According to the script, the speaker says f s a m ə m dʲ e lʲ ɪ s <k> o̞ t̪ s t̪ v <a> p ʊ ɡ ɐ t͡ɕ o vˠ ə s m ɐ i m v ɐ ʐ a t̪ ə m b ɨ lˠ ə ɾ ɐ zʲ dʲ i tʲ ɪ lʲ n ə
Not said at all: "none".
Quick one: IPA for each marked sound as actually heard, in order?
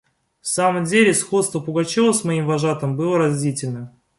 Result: x, ə

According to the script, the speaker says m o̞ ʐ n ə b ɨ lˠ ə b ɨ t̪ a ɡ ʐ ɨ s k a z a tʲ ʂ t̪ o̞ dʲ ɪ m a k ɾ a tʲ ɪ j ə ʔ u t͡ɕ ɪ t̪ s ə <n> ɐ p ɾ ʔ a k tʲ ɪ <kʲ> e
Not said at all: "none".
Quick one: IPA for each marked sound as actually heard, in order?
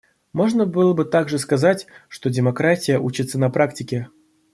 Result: n, kʲ

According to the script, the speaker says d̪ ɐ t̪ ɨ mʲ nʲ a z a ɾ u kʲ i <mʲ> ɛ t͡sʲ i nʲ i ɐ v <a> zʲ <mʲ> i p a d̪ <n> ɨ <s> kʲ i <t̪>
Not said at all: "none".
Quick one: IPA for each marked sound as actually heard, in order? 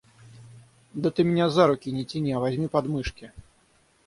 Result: nʲ, a, mʲ, m, ʂ, none

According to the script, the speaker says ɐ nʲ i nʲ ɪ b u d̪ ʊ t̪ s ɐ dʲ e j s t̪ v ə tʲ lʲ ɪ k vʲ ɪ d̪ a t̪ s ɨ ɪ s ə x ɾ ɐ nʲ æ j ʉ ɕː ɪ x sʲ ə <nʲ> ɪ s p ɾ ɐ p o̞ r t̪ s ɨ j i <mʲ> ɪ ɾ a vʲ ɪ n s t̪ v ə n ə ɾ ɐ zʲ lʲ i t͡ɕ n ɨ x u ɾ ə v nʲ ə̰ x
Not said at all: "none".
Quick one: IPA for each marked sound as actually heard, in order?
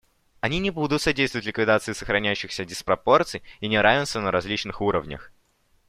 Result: dʲ, nʲ

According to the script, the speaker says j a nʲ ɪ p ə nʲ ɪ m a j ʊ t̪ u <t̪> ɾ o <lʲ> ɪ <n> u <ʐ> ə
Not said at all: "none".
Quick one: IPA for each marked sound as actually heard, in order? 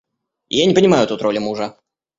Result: t̪, lʲ, m, ʐ

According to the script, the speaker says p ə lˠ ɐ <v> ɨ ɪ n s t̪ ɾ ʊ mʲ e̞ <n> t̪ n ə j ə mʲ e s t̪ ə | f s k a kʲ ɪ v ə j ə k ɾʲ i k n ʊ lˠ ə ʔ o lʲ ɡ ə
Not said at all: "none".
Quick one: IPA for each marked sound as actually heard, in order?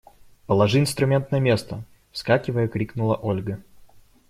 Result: ʐ, n

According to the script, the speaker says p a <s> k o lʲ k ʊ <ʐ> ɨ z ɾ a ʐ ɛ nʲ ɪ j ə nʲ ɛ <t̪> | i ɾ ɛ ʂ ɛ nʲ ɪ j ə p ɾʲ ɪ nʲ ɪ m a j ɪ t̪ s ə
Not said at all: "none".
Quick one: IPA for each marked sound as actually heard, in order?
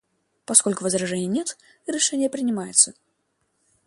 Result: s, v, t̪

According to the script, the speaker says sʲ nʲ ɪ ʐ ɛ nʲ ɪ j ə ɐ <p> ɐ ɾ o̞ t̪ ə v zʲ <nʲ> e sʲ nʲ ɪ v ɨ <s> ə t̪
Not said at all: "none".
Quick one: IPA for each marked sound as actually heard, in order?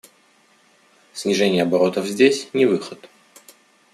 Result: b, dʲ, x

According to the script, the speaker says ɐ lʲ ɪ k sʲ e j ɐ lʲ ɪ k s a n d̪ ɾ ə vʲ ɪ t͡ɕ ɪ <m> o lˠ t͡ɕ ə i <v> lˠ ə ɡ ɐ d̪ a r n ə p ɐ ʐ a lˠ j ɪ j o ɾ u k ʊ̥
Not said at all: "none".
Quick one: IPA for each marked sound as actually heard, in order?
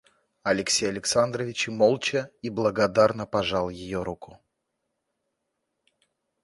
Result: m, b

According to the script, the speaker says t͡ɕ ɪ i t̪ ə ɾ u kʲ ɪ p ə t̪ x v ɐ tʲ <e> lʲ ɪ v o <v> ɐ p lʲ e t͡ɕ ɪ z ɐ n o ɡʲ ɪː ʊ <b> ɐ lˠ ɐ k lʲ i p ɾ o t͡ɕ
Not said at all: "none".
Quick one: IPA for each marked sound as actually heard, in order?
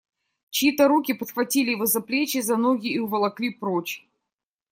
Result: i, z, v

